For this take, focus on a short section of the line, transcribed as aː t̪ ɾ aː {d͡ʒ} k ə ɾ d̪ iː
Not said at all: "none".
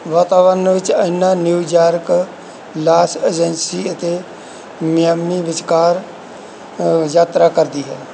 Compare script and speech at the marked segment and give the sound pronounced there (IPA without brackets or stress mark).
none